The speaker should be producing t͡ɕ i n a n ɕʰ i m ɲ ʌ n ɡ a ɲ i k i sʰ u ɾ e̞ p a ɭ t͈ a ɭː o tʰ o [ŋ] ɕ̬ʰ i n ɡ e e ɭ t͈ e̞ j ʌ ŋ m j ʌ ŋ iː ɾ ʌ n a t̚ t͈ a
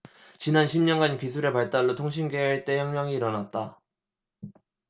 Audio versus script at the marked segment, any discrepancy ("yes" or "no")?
no